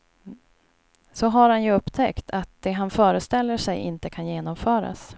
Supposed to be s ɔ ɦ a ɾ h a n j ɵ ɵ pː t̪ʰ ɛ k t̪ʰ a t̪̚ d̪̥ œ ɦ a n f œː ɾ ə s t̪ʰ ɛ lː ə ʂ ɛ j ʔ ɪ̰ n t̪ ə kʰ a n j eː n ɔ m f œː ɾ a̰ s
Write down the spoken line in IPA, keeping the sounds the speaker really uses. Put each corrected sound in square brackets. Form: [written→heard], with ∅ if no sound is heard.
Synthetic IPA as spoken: s ɔ ɦ a ɾ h a n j ɵ ɵ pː t̪ʰ ɛ k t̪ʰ a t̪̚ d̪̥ [œ→ɛ] ɦ a n f œː ɾ ə s [t̪ʰ→t̪] ɛ lː ə ʂ ɛ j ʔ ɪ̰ n t̪ ə kʰ a n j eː n ɔ m f œː ɾ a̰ s